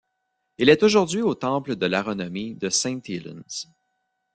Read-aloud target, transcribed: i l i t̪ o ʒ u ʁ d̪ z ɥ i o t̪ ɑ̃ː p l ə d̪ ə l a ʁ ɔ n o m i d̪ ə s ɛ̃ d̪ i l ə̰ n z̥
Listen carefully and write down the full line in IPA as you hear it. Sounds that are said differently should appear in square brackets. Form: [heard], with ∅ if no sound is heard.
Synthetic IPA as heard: i l [ɛ] t̪ o ʒ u ʁ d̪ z ɥ i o t̪ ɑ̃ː p l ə d̪ ə l a ʁ ɔ n [ɔ] m i d̪ ə s ɛ̃ [t̪] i l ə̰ n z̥